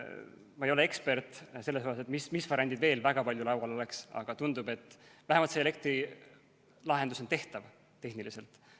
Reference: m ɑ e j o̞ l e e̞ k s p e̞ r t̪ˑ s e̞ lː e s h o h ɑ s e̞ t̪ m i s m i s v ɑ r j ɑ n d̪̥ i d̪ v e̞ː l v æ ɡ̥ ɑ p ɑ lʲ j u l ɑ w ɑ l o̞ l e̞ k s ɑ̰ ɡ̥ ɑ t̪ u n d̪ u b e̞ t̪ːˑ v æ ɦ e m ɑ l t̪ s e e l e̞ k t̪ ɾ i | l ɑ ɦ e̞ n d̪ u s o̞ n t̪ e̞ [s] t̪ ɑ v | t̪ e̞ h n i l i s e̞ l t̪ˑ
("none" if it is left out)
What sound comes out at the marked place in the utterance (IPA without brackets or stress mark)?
h